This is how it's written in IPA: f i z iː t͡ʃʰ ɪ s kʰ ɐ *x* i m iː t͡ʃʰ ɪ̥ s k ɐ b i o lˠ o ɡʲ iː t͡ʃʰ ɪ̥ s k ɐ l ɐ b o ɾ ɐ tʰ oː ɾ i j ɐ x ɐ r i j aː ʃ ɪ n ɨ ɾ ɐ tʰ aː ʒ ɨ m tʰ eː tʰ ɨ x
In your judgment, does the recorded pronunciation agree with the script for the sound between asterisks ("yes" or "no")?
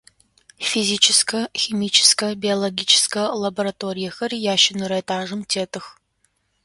yes